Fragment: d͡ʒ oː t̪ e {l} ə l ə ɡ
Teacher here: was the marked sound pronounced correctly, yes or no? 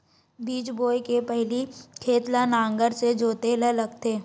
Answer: yes